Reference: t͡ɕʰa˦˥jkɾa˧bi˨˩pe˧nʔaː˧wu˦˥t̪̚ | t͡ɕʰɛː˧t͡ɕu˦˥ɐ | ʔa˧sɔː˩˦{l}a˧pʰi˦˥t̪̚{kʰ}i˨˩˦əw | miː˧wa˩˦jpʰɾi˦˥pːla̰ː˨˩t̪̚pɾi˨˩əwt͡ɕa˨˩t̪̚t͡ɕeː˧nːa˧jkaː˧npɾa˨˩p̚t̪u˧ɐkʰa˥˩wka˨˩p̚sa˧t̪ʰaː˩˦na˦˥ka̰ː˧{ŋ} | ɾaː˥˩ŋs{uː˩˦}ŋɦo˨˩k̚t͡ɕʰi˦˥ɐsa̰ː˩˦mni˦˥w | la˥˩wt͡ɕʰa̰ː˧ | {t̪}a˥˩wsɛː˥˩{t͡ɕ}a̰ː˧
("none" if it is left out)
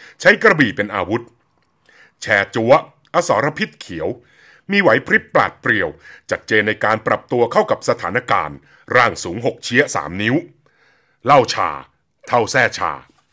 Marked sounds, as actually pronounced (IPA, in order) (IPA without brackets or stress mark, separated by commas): ɾ, kʰ, n, uː˩˦, t̪ʰ, t͡ɕʰ